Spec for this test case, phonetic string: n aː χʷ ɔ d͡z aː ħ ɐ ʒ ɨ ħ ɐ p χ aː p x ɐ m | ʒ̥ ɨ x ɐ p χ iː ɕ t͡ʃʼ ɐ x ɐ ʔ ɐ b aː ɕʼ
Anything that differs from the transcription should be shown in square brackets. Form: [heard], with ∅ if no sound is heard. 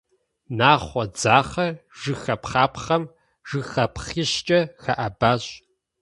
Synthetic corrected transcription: n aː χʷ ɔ d͡z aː [χ] ɐ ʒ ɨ [x] ɐ p χ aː p [χ] ɐ m | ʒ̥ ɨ x ɐ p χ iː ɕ t͡ʃʼ ɐ x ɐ ʔ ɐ b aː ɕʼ